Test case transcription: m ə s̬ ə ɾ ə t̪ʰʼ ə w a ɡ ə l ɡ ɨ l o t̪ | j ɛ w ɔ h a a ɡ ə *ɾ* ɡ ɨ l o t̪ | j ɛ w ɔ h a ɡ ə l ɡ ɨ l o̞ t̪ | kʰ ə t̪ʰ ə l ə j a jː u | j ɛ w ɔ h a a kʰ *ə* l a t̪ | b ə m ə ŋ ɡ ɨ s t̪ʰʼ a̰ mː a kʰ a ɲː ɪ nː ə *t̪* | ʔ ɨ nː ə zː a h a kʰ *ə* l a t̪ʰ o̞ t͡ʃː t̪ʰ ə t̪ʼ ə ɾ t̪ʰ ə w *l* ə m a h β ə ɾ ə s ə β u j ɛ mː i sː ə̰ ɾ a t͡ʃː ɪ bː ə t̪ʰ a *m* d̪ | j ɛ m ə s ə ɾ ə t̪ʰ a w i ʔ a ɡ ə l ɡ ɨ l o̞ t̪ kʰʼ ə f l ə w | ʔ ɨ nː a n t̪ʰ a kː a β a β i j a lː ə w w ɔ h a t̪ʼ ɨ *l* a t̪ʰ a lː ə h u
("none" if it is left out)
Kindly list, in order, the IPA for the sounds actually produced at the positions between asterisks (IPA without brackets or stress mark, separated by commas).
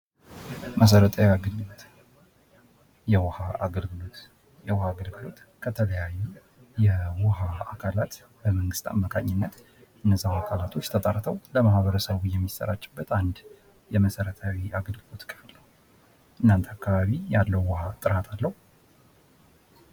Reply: l, a, t̪, a, l, n, ɾ